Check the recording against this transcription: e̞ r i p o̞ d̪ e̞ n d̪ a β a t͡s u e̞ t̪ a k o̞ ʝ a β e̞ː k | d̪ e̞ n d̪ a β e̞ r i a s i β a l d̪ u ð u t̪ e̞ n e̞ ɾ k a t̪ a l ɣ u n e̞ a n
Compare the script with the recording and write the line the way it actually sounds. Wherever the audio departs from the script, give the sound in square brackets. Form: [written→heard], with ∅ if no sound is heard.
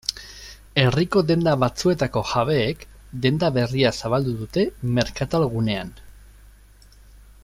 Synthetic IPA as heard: e̞ r i [p→k] o̞ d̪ e̞ n d̪ a β a t͡s u e̞ t̪ a k o̞ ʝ a β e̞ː k | d̪ e̞ n d̪ a β e̞ r i a s [i→a] β a l d̪ u ð u t̪ e̞ [n→m] e̞ ɾ k a t̪ a l ɣ u n e̞ a n